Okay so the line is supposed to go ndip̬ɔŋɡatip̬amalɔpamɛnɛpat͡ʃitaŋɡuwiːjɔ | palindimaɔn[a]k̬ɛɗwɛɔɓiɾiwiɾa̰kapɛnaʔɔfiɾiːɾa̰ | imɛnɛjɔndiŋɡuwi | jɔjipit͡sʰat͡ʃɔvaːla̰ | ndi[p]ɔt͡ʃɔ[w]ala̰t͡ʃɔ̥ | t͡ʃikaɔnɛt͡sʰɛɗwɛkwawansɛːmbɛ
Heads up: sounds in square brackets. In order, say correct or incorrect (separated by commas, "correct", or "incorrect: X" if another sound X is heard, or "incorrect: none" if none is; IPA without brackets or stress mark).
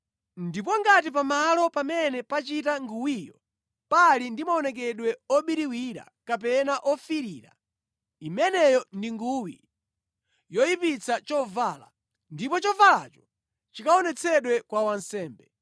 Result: incorrect: ɛ, correct, incorrect: v